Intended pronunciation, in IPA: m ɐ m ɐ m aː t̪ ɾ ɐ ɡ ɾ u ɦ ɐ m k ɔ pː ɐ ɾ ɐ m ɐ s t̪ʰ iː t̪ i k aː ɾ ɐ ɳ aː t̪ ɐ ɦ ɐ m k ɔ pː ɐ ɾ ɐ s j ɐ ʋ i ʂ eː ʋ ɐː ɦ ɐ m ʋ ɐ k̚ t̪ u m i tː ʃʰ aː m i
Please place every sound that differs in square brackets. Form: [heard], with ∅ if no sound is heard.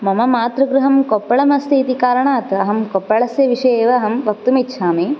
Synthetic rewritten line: m ɐ m ɐ m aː t̪ ɾ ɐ ɡ ɾ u ɦ ɐ m k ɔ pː ɐ [ɭ] ɐ m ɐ s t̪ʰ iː t̪ i k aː ɾ ɐ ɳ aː t̪ ɐ ɦ ɐ m k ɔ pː ɐ [ɭ] ɐ s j ɐ ʋ i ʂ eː ʋ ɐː ɦ ɐ m ʋ ɐ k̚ t̪ u m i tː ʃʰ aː m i